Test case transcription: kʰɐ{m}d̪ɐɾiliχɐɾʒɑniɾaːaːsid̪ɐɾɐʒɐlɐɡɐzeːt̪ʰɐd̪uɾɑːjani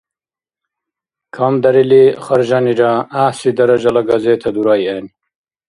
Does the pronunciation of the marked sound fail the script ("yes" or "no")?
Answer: no